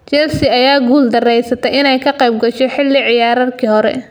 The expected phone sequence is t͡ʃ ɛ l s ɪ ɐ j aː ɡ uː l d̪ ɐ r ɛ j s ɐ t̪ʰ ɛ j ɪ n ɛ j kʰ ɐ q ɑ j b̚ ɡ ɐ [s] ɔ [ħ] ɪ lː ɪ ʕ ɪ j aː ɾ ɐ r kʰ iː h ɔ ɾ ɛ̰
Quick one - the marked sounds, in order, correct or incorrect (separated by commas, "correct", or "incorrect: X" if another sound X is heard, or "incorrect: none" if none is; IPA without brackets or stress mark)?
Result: incorrect: ʃ, correct